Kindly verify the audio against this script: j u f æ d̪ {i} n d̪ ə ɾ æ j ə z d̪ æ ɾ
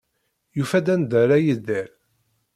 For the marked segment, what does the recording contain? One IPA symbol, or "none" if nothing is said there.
æ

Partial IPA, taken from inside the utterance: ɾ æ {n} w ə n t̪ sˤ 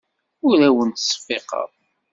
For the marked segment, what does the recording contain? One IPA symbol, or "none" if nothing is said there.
none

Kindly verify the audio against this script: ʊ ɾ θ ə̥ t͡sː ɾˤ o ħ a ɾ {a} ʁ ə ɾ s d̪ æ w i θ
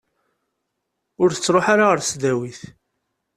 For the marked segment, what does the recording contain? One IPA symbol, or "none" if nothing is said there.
a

